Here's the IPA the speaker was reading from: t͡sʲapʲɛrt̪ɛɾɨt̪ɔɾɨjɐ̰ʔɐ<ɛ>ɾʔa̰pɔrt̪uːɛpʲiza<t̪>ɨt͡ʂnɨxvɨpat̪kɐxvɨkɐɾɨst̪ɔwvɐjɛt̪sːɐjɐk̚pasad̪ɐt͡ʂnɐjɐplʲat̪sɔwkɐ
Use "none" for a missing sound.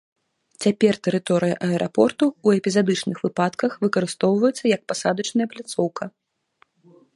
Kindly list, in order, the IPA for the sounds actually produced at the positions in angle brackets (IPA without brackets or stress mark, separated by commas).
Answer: ɛ, d̪